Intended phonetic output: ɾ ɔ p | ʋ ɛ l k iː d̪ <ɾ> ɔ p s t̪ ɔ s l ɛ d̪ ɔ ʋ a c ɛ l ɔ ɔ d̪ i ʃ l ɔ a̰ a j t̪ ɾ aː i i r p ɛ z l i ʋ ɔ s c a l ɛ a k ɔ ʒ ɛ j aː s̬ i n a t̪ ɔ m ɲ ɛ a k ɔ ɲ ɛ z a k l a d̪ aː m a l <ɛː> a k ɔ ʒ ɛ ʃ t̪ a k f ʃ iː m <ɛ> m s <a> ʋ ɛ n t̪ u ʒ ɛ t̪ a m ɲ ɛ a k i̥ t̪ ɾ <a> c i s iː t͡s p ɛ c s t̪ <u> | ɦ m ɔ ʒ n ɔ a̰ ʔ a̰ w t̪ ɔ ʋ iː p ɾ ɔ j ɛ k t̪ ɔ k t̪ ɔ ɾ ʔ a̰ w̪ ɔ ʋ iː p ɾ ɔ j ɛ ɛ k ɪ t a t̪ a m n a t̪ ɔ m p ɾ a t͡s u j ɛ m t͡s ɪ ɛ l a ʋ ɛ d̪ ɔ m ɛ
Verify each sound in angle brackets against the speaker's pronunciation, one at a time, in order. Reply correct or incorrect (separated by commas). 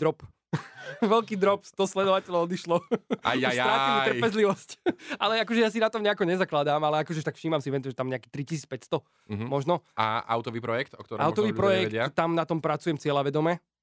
correct, incorrect, incorrect, incorrect, incorrect, incorrect